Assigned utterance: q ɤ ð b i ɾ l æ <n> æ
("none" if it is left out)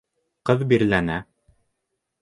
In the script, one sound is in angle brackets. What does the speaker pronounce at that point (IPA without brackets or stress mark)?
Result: n